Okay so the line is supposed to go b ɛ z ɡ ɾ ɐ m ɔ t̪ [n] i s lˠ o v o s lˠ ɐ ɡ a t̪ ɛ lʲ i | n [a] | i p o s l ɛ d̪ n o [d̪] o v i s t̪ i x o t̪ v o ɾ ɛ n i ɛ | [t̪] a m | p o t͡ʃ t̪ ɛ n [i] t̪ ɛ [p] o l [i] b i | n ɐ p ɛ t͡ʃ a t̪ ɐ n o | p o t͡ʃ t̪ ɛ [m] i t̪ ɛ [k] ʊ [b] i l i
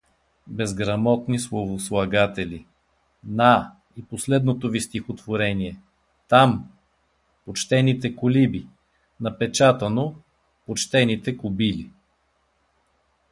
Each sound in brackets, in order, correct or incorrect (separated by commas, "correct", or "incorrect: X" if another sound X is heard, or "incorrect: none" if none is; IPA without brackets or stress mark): correct, correct, incorrect: t̪, correct, correct, incorrect: k, correct, incorrect: n, correct, correct